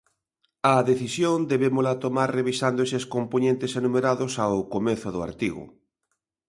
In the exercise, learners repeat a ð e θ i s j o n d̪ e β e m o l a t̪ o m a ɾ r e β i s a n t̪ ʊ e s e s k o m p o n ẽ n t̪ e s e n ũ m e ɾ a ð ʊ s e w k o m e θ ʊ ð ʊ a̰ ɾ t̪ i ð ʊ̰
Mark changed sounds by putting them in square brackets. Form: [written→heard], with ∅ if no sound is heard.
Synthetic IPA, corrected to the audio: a ð e θ i s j o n d̪ e β e m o l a t̪ o m a ɾ r e β i s a n [t̪→d̪] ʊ e s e s k o m p o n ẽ n t̪ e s e n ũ m e ɾ a ð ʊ s [e→a] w k o m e θ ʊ ð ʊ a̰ ɾ t̪ i [ð→ɣ] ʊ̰